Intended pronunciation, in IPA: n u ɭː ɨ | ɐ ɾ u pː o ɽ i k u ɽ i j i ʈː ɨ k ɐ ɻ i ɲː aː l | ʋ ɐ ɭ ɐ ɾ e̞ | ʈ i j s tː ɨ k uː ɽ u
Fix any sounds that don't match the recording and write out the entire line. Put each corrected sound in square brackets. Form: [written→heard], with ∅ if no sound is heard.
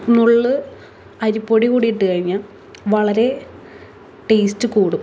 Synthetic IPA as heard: n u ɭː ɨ | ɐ ɾ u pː o ɽ i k [u→uː] ɽ i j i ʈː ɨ k ɐ ɻ i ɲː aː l | ʋ ɐ ɭ ɐ ɾ e̞ | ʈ [i→e] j s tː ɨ k uː ɽ u